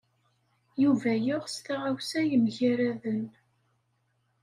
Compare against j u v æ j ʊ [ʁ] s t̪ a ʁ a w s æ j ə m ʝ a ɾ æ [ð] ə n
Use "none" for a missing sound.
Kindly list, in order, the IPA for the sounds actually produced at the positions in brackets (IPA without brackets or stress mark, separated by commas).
ʁ, ð